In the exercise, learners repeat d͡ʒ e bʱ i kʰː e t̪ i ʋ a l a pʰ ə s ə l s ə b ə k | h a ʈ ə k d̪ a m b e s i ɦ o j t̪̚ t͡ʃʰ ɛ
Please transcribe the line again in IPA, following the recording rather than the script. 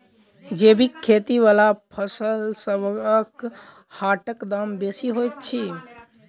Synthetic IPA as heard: d͡ʒ e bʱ i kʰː e t̪ i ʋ a l a pʰ ə s ə l s ə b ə k | h a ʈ ə k d̪ a m b e s i ɦ o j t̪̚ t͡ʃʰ i